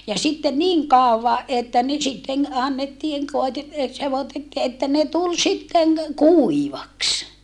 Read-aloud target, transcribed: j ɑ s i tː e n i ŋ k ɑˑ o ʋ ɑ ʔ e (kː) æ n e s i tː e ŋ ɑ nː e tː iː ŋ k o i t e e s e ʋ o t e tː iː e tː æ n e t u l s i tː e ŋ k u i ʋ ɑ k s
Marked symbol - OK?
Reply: no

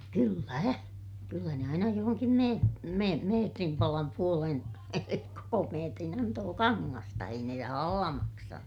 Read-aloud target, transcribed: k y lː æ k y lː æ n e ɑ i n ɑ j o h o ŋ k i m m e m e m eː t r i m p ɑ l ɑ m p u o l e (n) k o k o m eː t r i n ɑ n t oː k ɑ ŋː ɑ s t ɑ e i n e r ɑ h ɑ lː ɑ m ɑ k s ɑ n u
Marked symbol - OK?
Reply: yes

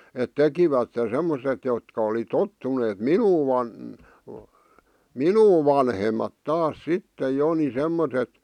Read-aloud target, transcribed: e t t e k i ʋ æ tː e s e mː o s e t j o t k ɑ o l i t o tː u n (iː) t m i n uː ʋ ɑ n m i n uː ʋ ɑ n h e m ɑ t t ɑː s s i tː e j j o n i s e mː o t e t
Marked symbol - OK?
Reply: no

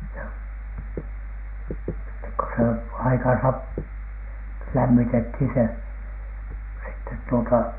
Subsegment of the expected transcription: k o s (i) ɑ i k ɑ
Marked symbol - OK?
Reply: no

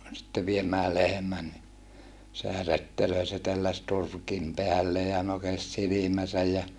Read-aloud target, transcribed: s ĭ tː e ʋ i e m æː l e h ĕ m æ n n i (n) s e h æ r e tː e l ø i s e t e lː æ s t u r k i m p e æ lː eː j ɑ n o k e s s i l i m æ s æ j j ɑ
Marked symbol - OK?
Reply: no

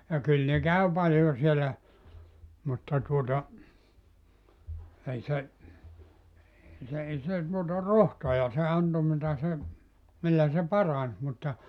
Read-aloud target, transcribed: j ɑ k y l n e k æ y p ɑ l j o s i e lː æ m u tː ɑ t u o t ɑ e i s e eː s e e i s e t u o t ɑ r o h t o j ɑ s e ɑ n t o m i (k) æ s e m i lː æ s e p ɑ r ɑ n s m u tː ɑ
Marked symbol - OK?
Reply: no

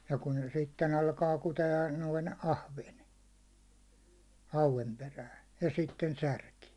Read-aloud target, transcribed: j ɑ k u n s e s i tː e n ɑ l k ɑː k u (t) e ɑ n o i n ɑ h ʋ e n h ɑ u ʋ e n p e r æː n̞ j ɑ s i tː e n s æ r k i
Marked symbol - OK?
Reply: yes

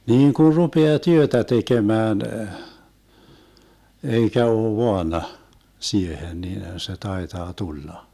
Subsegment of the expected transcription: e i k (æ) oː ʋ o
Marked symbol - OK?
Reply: yes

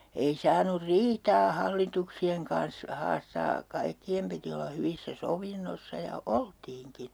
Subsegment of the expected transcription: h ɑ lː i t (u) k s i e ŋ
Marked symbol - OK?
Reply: yes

